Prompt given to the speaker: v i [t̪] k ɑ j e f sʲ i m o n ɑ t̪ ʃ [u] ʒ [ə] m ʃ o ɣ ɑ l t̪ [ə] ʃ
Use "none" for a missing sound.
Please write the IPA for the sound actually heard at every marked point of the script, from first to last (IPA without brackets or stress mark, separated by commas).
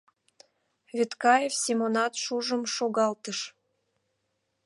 t̪, u, ə, ə